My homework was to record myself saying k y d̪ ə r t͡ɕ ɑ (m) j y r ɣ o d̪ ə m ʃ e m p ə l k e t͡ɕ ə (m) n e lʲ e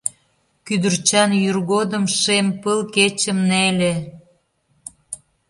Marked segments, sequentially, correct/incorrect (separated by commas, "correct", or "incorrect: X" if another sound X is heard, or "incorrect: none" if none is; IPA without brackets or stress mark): incorrect: n, correct